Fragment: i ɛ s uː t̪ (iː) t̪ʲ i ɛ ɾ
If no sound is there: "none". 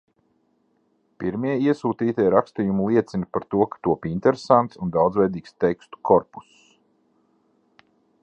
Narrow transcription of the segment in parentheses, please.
iː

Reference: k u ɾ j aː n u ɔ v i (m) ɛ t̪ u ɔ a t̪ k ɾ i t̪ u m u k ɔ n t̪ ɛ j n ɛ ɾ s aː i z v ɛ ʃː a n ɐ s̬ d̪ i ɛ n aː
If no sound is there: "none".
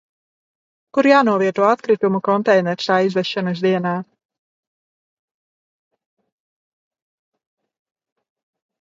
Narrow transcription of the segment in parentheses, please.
none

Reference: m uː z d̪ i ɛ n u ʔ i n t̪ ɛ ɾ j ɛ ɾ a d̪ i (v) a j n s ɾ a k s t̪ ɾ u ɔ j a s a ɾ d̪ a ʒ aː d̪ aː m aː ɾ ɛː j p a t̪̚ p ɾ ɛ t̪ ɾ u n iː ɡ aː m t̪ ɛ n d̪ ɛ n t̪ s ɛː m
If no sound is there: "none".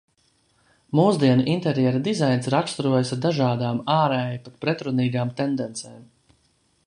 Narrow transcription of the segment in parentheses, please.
z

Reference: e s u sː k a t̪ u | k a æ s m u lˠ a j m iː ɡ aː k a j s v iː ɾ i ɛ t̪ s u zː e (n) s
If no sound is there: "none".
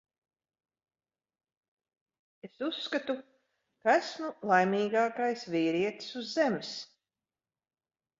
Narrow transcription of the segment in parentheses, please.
m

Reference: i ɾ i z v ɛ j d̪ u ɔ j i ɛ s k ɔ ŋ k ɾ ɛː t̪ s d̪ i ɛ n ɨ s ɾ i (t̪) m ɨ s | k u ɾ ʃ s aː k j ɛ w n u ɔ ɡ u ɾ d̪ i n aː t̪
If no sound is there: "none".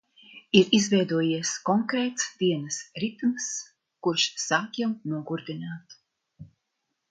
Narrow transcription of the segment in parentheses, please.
t̪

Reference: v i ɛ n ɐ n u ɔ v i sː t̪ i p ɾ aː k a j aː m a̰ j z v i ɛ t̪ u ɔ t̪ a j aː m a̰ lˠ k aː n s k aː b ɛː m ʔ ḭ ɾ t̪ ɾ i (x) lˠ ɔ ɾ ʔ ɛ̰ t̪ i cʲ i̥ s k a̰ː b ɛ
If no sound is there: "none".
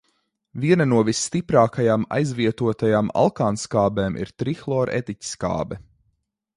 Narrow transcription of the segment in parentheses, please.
x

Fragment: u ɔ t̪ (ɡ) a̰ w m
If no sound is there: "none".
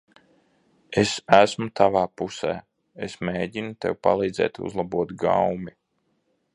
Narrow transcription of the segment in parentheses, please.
ɡ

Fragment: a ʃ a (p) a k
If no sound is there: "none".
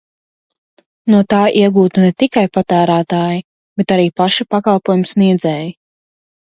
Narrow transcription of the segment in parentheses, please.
p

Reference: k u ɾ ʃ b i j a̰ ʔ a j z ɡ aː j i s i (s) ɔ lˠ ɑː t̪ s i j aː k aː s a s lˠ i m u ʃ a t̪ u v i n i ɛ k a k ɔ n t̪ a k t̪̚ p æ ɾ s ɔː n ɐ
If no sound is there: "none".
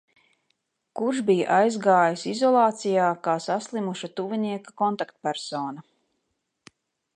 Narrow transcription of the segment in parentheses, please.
z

